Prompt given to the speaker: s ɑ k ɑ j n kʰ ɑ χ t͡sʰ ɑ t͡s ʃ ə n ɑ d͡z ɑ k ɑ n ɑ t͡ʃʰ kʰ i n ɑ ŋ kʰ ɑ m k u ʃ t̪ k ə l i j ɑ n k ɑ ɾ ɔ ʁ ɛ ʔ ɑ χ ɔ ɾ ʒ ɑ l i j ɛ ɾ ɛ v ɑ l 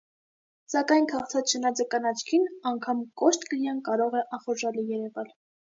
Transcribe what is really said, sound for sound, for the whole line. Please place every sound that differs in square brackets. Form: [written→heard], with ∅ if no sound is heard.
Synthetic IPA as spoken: s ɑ k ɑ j n kʰ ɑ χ t͡sʰ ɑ t͡s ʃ ə n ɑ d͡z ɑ k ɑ n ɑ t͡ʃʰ kʰ i n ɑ ŋ kʰ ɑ m k [u→ɔ] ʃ t̪ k ə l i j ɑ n k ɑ ɾ ɔ ʁ ɛ ʔ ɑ χ ɔ ɾ ʒ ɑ l i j ɛ ɾ ɛ v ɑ l